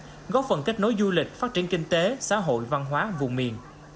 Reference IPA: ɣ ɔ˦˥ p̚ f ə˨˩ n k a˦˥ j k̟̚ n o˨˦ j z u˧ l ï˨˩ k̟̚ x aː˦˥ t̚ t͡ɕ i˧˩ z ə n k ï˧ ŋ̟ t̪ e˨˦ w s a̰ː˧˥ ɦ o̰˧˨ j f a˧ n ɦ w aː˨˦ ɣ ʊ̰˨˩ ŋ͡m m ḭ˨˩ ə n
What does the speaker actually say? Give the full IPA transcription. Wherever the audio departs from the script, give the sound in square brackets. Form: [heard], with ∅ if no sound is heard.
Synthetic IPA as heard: ɣ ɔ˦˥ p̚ f ə˨˩ n k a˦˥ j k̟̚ n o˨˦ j z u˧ l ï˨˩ k̟̚ [f] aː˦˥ t̚ t͡ɕ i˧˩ [∅] ə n k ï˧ ŋ̟ t̪ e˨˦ [∅] s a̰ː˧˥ ɦ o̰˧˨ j [v] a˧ n ɦ w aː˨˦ [v] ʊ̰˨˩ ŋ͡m m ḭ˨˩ ə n